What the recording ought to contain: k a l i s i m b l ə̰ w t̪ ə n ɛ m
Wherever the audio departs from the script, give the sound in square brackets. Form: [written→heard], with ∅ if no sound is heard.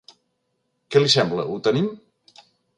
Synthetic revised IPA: k [a→ɛ] l i s [i→ɛ] m b l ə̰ [w→u] t̪ ə n [ɛ→i] m